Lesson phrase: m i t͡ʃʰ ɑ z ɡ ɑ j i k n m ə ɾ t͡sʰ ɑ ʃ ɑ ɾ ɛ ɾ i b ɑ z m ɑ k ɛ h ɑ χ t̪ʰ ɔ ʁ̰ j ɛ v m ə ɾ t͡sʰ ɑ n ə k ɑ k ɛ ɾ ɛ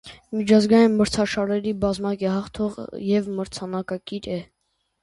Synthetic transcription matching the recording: m i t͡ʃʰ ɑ z ɡ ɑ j i n m ə ɾ t͡sʰ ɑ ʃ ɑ ɾ ɛ ɾ i b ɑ z m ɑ k ɛ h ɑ χ t̪ʰ ɔ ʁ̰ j ɛ v m ə ɾ t͡sʰ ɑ n ɑ k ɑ k i ɾ ɛ